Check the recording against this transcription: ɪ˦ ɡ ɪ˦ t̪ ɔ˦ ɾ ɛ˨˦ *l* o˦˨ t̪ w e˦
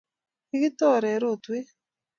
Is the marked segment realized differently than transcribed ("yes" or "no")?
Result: yes